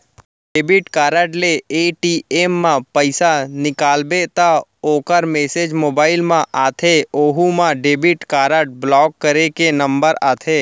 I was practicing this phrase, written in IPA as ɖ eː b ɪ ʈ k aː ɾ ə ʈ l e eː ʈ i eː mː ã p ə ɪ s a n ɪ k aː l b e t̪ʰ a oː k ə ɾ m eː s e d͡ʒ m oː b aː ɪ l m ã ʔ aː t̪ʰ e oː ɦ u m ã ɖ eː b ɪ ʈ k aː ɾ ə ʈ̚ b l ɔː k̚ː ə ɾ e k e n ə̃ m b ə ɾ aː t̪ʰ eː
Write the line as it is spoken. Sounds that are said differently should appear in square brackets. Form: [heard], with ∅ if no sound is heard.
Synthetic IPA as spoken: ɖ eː b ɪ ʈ k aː ɾ ə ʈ l e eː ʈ i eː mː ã p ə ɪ s a n ɪ k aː l b e [t̪] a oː k ə ɾ m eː s e d͡ʒ m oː b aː ɪ l m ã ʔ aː t̪ʰ e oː ɦ u m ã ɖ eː b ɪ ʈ k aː ɾ ə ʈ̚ b l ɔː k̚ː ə ɾ e k e n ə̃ m b ə ɾ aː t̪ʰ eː